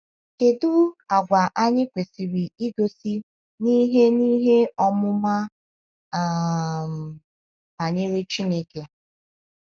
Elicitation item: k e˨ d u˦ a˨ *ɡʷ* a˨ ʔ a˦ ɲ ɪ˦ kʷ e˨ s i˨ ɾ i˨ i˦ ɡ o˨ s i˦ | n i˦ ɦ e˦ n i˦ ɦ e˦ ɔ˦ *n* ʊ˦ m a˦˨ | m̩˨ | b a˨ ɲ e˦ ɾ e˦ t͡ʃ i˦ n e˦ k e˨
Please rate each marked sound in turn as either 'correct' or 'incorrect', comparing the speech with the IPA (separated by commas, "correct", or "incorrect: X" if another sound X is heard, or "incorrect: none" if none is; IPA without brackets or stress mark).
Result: correct, incorrect: m